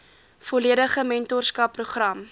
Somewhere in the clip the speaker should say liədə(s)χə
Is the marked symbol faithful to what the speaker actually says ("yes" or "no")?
no